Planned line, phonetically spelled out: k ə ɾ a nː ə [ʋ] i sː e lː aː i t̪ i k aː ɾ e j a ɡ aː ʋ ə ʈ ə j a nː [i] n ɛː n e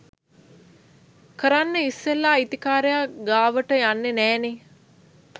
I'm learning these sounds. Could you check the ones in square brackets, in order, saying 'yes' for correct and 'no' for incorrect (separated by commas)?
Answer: no, no